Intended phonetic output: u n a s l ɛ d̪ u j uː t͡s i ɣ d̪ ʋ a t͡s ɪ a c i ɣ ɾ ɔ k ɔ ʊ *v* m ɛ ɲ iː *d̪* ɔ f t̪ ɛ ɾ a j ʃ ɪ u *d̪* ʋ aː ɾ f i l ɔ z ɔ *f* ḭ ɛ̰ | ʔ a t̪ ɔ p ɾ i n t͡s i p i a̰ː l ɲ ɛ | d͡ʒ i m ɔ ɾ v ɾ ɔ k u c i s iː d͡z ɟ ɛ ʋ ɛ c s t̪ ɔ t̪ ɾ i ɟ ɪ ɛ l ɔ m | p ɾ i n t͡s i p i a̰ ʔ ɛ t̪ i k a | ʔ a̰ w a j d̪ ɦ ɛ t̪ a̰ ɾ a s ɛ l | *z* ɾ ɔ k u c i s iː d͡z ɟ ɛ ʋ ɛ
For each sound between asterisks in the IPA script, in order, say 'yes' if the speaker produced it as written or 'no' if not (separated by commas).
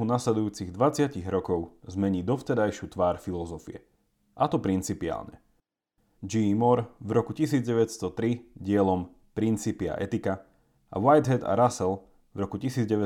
no, yes, no, yes, no